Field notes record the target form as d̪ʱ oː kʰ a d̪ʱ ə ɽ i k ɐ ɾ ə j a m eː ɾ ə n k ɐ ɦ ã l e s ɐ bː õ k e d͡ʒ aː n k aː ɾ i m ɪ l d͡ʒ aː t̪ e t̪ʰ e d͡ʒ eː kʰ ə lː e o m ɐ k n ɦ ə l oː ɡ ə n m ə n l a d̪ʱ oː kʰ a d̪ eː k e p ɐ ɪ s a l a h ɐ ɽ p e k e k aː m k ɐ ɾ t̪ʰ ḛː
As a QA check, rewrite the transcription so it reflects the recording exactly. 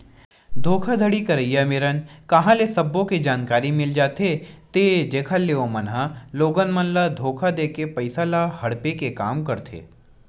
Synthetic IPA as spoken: d̪ʱ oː kʰ a d̪ʱ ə ɽ i k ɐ ɾ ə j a m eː ɾ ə n k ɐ ɦ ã l e s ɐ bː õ k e d͡ʒ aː n k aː ɾ i m ɪ l d͡ʒ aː t̪ e t̪ e d͡ʒ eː kʰ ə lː e o m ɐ n ɦ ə l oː ɡ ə n m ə n l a d̪ʱ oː kʰ a d̪ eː k e p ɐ ɪ s a l a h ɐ ɽ p e k e k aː m k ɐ ɾ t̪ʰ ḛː